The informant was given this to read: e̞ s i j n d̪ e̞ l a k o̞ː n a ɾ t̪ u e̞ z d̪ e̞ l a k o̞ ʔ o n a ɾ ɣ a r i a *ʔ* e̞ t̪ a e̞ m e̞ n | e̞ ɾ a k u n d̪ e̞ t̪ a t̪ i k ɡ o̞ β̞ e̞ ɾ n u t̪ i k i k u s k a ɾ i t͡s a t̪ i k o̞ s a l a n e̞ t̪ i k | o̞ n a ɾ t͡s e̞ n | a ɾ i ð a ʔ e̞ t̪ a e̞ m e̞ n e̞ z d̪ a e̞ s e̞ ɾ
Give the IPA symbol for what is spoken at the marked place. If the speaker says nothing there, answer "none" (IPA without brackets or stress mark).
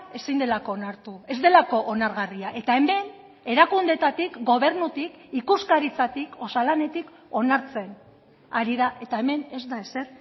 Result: ʔ